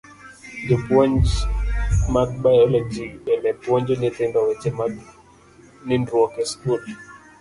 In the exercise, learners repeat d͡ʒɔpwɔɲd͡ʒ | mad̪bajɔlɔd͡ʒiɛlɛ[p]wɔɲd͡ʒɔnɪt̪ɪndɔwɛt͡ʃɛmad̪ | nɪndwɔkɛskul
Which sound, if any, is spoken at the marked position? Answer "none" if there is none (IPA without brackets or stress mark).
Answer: p